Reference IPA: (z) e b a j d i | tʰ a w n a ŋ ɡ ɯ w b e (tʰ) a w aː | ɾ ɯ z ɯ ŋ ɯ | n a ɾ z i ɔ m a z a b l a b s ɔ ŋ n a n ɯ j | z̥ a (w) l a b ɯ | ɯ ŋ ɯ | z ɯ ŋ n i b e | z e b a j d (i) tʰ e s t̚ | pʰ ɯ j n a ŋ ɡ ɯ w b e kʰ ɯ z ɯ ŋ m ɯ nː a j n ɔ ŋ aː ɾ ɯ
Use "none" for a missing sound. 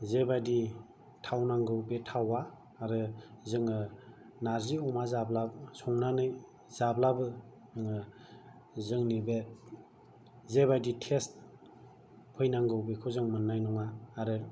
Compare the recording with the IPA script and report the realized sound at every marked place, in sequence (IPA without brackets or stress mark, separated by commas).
z, tʰ, b, i